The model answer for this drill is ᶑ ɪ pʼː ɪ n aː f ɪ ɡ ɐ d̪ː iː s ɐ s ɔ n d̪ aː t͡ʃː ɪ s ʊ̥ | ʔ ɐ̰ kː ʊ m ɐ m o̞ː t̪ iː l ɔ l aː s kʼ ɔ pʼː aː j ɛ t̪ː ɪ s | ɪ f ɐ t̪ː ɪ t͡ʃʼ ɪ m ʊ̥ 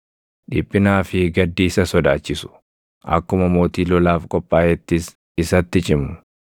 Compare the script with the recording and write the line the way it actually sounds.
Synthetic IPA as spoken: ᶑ ɪ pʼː ɪ n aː f ɪ ɡ ɐ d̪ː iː s ɐ s ɔ d̪ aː t͡ʃː ɪ s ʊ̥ | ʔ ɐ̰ kː ʊ m ɐ m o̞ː t̪ iː l ɔ l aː f kʼ ɔ pʼː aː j ɛ t̪ː ɪ s | ɪ s ɐ t̪ː ɪ t͡ʃʼ ɪ m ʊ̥